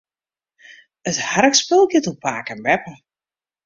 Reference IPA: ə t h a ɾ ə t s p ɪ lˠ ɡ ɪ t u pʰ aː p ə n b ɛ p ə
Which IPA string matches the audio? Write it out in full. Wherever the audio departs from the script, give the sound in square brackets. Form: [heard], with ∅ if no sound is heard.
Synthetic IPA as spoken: ə t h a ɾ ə [k] s p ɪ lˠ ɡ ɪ t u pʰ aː [k] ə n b ɛ p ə